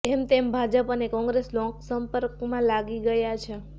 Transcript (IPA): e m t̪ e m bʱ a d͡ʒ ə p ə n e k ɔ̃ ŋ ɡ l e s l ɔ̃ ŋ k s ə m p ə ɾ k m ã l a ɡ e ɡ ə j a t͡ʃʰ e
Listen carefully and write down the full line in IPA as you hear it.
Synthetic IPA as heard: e m t̪ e m bʱ a d͡ʒ ə p ə n e k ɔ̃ ŋ ɡ ɾ e s l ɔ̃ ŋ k s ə m p ə ɾ k m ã l a ɡ i ɡ ə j a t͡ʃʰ e